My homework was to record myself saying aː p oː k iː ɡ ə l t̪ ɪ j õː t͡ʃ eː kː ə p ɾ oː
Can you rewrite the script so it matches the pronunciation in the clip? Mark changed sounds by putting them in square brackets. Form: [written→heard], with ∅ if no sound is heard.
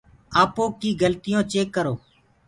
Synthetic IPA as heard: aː p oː k iː ɡ ə l t̪ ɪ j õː t͡ʃ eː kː ə [p→∅] ɾ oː